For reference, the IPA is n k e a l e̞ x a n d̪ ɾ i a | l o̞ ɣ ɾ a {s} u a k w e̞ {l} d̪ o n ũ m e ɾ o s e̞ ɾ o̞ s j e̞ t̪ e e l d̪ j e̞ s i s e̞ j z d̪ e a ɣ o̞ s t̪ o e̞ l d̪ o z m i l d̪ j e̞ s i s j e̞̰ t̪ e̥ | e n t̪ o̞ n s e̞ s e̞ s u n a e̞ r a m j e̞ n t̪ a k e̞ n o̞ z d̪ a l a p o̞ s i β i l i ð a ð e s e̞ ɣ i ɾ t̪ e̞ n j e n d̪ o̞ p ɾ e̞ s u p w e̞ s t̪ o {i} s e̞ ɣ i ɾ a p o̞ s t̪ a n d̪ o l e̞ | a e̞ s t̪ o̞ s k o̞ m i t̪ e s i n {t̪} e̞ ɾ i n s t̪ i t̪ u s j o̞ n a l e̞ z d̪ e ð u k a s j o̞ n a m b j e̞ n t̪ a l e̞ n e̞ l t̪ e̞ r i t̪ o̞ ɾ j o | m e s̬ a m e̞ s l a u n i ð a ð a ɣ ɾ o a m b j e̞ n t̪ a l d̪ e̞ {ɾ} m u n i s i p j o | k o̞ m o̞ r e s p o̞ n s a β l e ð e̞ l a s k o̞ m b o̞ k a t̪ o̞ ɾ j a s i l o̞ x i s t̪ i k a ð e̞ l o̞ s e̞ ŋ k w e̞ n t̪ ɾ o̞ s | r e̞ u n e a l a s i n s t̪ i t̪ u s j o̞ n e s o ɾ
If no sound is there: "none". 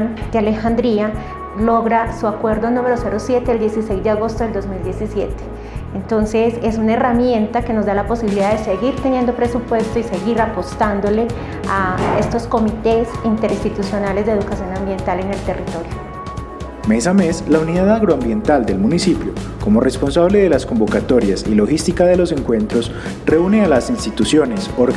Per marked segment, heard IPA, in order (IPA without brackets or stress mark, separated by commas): s, ɾ, i, t̪, l